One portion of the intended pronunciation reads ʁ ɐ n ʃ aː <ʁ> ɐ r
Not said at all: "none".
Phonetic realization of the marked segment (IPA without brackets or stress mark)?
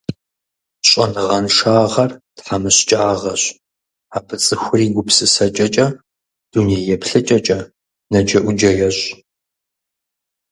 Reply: ʁ